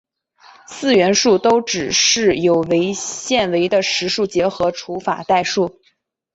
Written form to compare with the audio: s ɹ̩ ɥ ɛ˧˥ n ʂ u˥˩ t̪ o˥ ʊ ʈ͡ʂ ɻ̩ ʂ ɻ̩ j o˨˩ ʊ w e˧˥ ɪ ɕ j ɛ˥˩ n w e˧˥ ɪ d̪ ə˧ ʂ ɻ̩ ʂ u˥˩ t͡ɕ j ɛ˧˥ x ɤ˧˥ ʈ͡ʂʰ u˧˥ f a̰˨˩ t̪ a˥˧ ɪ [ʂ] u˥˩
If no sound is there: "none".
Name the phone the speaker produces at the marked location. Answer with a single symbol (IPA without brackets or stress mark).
ʂ